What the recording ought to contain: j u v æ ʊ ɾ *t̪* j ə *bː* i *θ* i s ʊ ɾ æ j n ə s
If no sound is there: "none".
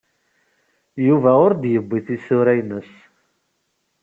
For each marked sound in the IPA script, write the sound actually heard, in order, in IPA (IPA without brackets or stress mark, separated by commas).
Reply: d̪, bː, θ